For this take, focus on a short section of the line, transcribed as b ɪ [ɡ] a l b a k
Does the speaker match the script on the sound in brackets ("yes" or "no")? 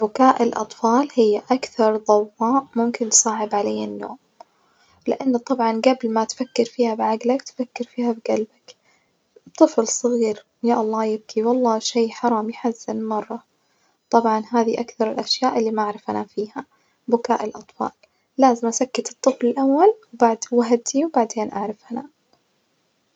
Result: yes